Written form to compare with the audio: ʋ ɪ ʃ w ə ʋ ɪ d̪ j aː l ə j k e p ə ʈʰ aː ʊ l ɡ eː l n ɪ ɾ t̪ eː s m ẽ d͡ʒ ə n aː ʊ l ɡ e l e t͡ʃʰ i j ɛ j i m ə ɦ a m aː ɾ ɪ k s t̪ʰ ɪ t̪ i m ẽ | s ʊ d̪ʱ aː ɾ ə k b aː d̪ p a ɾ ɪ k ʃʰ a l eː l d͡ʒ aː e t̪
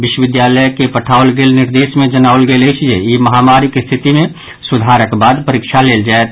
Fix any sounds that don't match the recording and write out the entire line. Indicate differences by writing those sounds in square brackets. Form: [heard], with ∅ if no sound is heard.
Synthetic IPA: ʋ ɪ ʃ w ə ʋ ɪ d̪ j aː l ə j k e p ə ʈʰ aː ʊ l ɡ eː l n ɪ ɾ [d̪] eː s m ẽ d͡ʒ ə n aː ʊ l ɡ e l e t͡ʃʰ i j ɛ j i m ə ɦ a m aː ɾ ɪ k s t̪ʰ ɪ t̪ i m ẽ | s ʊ d̪ʱ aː ɾ ə k b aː d̪ p [ə] ɾ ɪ k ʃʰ a l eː l d͡ʒ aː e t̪